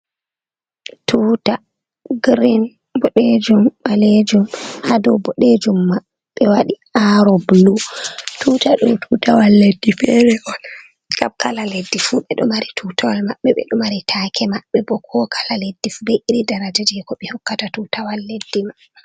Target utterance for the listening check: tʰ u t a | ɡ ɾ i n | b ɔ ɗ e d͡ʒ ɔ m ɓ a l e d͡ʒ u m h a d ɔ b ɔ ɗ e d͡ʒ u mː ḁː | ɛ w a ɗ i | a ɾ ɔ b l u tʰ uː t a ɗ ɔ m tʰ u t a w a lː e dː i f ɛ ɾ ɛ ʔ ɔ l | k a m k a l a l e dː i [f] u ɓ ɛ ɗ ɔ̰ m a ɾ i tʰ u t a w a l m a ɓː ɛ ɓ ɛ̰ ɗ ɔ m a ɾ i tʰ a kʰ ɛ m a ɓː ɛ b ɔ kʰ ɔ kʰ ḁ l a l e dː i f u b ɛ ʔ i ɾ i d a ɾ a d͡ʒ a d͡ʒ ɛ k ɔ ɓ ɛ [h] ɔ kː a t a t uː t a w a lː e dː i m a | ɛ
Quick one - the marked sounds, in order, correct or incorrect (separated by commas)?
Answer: correct, correct